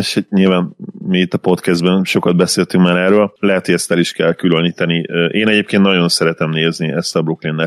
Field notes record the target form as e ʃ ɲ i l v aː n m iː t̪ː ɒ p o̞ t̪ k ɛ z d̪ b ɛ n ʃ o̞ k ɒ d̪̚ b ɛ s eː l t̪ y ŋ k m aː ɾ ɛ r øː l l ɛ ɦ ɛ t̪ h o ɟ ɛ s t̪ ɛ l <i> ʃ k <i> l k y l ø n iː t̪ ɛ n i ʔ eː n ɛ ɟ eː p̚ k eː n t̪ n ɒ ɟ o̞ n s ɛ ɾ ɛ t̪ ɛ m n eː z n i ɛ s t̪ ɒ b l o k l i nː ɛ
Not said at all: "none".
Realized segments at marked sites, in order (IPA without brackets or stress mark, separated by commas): i, ɛ